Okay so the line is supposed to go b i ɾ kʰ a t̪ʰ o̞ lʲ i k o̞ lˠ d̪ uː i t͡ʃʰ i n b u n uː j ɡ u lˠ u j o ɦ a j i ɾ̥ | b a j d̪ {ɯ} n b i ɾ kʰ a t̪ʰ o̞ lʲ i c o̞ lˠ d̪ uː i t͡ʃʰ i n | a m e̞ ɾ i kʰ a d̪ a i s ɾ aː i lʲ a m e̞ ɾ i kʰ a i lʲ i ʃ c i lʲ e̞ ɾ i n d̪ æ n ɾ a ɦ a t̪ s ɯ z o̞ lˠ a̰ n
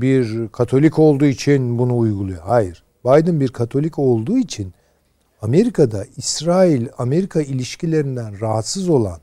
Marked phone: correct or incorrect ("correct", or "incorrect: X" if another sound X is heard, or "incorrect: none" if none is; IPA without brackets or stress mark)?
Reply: correct